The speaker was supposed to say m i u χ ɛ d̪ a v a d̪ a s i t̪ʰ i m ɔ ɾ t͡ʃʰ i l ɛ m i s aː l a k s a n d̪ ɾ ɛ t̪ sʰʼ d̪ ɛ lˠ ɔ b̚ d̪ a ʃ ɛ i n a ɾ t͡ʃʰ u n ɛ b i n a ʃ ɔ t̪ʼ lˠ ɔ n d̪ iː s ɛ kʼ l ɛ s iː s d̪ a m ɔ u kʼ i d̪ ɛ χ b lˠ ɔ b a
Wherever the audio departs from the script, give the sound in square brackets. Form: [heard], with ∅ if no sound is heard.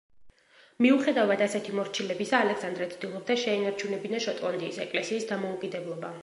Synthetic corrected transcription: m i u χ ɛ d̪ a v a d̪ a s [ɛ] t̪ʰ i m ɔ ɾ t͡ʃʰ i l ɛ [b] i s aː l [ɛ] k s a n d̪ ɾ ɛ t̪ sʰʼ d̪ [i] lˠ ɔ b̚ d̪ a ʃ ɛ i n a ɾ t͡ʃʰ u n ɛ b i n a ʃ ɔ t̪ʼ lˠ ɔ n d̪ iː s ɛ kʼ l ɛ s iː s d̪ a m ɔ u kʼ i d̪ ɛ [∅] b lˠ ɔ b a